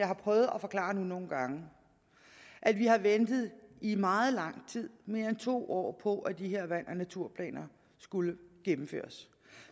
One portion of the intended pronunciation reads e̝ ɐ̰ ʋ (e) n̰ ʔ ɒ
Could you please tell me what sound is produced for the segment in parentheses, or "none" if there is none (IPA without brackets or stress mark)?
æ